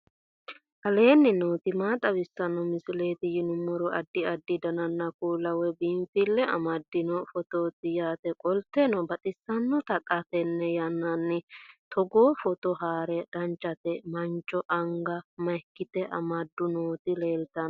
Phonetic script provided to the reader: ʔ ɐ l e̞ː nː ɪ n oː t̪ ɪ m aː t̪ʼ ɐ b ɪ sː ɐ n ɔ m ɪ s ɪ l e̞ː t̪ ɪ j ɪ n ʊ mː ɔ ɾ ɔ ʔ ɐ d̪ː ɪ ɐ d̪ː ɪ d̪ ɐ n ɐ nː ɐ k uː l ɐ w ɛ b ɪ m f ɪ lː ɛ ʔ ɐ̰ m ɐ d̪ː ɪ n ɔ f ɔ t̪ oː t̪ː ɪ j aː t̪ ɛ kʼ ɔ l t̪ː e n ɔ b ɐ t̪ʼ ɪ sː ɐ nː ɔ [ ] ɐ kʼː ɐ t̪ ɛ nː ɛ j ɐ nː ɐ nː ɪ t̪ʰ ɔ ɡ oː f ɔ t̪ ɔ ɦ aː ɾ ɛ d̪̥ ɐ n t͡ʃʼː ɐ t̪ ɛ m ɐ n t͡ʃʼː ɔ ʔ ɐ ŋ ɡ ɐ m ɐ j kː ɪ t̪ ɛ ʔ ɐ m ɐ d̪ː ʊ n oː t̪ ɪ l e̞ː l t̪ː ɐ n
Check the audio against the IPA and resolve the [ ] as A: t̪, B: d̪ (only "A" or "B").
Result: A